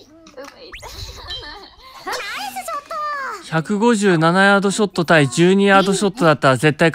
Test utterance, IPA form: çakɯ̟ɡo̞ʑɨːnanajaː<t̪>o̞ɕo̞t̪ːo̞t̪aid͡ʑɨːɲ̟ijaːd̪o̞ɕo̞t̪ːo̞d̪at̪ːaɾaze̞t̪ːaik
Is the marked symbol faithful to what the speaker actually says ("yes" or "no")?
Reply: no